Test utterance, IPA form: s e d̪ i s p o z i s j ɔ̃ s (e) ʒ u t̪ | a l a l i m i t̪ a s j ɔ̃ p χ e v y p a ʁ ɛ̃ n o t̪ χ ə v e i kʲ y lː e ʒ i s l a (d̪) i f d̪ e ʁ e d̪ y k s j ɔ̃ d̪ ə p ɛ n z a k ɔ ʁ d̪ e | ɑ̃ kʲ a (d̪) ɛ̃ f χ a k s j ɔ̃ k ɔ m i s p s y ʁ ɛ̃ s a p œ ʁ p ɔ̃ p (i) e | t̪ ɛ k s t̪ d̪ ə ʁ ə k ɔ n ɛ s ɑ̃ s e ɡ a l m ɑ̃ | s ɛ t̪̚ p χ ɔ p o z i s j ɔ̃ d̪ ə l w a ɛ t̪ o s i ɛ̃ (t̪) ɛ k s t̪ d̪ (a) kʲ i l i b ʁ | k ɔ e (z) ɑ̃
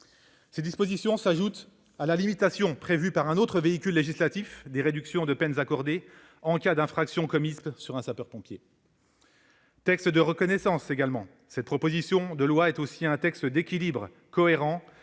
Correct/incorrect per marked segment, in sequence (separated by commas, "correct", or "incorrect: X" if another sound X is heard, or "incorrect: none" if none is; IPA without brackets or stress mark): incorrect: a, incorrect: t̪, correct, incorrect: j, correct, incorrect: e, incorrect: ʁ